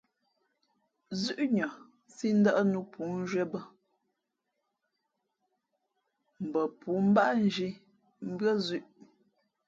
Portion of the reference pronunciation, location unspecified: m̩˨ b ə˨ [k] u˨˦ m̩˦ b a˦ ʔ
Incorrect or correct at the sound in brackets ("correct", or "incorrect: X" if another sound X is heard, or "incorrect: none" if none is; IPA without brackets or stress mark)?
incorrect: p